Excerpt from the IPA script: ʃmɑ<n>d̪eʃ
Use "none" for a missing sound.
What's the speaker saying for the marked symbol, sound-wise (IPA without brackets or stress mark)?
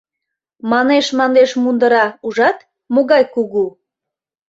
n